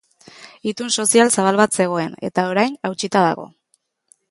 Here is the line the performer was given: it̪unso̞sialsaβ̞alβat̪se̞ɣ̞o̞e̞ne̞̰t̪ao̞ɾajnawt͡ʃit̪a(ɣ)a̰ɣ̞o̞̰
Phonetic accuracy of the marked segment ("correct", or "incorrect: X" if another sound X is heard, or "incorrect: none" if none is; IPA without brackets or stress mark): incorrect: ð